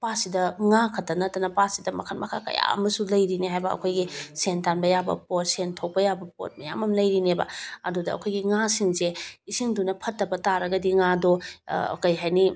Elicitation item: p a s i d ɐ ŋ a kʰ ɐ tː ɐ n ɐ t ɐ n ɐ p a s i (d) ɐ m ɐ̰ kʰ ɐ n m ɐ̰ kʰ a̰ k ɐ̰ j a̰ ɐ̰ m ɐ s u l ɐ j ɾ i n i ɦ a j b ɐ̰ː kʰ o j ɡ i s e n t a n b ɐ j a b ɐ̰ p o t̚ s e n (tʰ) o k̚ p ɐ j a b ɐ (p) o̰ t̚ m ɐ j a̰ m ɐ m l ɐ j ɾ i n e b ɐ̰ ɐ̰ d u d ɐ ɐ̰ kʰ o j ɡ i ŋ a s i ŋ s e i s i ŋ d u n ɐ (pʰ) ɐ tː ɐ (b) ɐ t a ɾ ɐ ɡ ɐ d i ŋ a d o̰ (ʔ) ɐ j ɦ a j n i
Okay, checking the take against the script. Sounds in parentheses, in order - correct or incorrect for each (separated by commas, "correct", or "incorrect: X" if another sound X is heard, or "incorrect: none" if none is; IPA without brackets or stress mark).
correct, correct, correct, correct, correct, incorrect: k